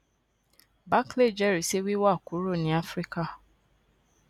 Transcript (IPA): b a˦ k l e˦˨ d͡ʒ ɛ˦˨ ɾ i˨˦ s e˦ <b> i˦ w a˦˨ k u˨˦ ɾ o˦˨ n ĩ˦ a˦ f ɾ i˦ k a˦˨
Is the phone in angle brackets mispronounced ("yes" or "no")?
yes